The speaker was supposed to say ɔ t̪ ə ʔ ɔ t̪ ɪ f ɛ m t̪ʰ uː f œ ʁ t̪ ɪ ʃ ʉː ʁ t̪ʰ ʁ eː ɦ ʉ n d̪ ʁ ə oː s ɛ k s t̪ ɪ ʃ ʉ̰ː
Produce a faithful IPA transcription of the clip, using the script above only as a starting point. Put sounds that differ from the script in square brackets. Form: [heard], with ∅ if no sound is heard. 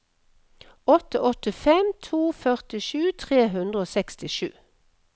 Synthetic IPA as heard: ɔ t̪ ə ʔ ɔ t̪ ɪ f ɛ m t̪ʰ uː f œ ʁ t̪ ɪ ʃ ʉː [∅] t̪ʰ ʁ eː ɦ ʉ n d̪ ʁ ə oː s ɛ k s t̪ ɪ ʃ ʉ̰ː